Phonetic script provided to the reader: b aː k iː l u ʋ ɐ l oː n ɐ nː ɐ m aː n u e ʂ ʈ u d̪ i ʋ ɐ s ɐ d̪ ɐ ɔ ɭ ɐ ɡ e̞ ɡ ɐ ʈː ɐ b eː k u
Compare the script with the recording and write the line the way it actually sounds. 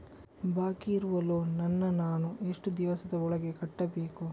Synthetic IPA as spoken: b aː k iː ɾ u ʋ ɐ l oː n ɐ nː ɐ n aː n u e ʂ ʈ u d̪ i ʋ ɐ s ɐ d̪ ɐ ɔ ɭ ɐ ɡ e̞ k ɐ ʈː ɐ b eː k u